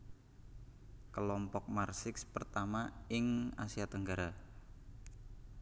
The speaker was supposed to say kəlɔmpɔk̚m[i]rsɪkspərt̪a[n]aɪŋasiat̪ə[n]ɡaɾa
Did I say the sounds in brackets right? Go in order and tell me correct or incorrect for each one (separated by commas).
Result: incorrect, incorrect, incorrect